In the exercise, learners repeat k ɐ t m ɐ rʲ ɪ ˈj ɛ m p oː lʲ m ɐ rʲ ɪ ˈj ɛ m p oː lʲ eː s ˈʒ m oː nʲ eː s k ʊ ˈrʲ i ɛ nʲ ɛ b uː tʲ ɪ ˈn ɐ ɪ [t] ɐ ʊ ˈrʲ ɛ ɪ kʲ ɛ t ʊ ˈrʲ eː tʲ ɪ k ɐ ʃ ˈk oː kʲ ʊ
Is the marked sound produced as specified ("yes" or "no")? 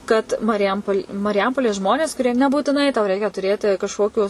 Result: yes